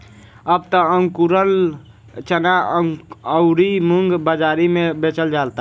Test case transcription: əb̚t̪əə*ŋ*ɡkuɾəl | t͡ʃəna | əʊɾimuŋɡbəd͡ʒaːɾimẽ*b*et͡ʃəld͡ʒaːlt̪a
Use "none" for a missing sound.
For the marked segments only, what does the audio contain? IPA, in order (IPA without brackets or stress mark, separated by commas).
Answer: ŋ, b